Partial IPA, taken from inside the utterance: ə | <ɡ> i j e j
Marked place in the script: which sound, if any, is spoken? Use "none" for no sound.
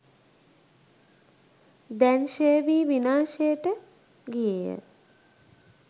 ɡ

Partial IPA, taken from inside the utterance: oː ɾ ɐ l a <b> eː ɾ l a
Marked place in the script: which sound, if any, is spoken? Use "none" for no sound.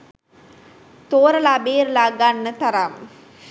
b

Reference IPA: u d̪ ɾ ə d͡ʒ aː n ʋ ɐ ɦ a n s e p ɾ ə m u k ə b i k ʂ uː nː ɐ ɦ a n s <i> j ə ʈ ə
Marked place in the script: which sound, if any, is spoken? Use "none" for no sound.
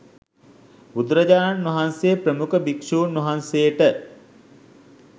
e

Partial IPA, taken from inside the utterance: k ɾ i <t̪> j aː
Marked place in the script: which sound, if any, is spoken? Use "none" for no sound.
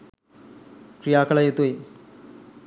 none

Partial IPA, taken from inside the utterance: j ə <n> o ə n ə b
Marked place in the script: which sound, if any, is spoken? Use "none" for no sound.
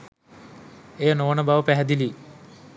n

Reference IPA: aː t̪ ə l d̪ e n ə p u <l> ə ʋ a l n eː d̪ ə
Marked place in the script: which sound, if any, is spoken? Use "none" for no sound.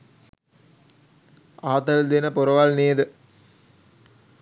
ɾ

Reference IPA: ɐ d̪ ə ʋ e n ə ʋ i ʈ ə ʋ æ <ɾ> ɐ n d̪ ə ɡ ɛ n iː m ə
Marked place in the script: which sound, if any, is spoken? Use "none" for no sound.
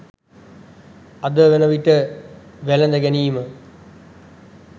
l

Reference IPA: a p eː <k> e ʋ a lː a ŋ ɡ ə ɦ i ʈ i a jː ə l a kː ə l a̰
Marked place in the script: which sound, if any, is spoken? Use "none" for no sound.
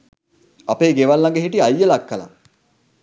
ɡ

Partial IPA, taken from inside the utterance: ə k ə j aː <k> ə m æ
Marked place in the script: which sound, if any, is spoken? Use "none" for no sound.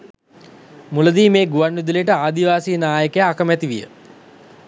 k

